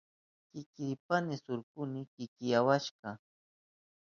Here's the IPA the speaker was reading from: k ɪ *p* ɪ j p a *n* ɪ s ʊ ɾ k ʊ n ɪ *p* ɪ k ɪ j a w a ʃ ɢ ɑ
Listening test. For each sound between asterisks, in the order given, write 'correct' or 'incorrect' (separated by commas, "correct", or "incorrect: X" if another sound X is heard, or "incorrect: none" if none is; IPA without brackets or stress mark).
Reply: incorrect: k, correct, incorrect: k